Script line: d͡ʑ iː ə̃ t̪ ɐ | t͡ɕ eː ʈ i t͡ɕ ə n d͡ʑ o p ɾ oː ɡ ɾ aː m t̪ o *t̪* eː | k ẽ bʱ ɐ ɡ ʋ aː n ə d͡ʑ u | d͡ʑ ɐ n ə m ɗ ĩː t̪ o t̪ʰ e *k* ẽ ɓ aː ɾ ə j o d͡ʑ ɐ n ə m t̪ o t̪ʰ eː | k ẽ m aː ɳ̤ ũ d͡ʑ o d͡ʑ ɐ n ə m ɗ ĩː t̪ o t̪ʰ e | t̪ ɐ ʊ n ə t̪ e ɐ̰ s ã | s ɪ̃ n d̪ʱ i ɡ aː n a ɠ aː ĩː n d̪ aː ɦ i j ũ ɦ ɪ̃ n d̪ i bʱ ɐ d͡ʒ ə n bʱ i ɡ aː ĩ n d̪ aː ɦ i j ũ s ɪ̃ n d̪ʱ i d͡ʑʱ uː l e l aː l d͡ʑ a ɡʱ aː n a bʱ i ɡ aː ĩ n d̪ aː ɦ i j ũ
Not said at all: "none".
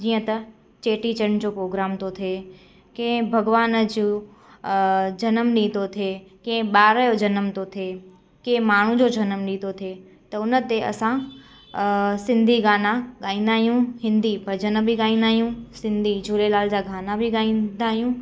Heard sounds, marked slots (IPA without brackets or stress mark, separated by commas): t̪ʰ, k